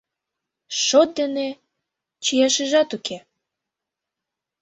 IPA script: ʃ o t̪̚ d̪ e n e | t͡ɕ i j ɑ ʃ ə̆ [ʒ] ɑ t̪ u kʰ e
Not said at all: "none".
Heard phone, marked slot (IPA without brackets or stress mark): ʒ